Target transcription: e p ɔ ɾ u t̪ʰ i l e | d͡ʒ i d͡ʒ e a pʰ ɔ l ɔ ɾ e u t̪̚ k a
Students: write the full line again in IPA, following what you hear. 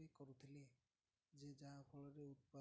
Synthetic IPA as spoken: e k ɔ ɾ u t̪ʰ i l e | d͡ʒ e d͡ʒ a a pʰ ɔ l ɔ ɾ e u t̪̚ p a